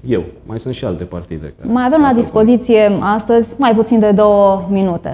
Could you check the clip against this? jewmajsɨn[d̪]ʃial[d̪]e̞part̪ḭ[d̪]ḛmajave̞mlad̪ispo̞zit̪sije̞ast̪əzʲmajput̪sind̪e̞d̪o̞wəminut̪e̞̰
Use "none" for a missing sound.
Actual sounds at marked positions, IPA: t̪, t̪, d̪

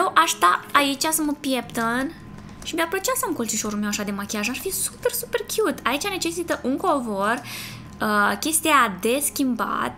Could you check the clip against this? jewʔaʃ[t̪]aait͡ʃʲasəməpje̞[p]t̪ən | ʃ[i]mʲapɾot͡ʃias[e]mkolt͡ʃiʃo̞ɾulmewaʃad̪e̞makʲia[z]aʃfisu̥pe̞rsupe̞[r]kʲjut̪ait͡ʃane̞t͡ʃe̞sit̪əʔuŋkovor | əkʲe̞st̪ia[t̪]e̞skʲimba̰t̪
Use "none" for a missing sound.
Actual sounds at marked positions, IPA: t̪, p, i, a, ʒ, r, d̪

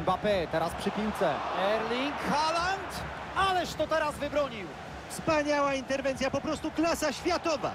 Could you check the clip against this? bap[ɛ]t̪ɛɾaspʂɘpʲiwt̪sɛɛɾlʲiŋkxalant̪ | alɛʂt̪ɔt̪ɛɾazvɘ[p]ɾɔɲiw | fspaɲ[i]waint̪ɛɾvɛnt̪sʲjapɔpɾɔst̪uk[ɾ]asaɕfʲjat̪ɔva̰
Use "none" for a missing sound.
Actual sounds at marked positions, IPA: ɛ, b, a, l

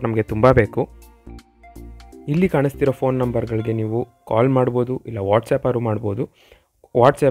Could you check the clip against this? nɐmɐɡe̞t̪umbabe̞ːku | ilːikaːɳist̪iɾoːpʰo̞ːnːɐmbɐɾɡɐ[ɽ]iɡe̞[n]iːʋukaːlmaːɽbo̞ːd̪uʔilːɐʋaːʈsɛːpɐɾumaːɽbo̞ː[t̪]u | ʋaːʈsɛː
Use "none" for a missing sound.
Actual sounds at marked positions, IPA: ɭ, n, d̪

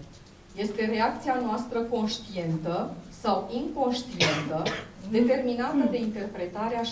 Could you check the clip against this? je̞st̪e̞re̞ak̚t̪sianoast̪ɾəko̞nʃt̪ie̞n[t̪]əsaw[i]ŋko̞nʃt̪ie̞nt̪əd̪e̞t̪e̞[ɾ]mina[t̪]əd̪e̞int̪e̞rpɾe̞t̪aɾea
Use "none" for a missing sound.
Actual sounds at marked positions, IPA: t̪, i, r, t̪

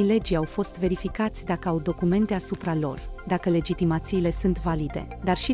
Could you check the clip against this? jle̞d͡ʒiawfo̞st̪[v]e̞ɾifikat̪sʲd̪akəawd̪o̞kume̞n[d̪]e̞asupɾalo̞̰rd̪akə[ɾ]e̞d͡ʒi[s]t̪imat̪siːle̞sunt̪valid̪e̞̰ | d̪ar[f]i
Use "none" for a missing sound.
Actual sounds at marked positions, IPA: v, t̪, l, none, ʃ

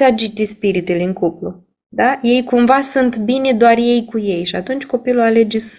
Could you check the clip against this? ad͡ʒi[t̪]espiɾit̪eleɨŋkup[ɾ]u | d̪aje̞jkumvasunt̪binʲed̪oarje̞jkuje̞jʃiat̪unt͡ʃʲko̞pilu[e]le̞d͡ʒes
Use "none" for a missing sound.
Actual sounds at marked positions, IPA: t̪, l, a

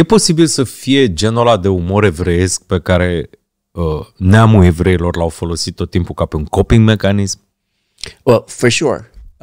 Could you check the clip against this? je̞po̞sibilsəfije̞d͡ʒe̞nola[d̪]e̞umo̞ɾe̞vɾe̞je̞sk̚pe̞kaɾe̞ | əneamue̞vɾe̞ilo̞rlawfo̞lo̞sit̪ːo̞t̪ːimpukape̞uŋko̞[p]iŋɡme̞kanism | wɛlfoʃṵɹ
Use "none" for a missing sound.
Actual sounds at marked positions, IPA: d̪, p

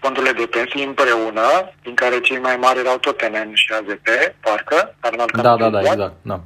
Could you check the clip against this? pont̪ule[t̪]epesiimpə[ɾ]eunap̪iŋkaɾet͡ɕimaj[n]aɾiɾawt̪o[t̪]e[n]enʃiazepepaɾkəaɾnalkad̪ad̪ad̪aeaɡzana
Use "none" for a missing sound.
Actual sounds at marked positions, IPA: d̪, ɾ, m, t̪, n

